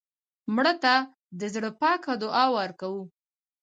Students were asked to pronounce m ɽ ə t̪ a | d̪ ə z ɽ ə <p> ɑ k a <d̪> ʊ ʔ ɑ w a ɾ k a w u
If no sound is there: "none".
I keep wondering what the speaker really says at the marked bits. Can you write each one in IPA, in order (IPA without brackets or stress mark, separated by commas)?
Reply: p, d̪